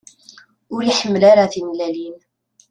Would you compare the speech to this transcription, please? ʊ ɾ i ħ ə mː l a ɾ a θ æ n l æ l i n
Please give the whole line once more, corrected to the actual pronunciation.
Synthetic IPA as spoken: ʊ ɾ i ħ ə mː l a ɾ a θ i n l æ l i n

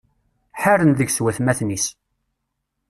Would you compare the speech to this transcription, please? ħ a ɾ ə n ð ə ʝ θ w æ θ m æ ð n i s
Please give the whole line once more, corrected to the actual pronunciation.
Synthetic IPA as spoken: ħ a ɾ ə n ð ə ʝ s w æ θ m æ θ n i s

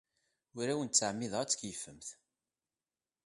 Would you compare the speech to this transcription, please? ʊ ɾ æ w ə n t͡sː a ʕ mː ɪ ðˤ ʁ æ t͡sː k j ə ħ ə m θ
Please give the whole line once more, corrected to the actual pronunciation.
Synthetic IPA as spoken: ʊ ɾ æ w ə n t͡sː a ʕ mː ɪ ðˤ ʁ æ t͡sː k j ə f ə m θ

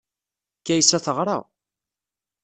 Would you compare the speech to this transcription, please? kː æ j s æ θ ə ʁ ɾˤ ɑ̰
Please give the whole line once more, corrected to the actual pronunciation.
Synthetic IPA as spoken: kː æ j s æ θ ə ʁ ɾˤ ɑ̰

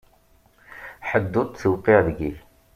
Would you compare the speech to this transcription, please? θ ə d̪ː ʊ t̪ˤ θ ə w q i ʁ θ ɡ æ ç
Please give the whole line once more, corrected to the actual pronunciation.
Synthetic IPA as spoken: ħ ə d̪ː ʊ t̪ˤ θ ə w q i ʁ ð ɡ i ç

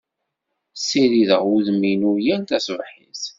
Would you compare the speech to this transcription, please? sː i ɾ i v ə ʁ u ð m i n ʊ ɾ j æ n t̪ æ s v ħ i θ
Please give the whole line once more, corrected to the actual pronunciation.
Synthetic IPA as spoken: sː i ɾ i ð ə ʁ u ð m i n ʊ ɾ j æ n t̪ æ s v ħ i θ

